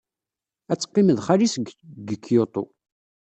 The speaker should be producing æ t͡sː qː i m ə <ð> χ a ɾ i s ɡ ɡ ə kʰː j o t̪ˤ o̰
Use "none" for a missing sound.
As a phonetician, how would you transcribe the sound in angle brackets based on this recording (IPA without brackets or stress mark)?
ð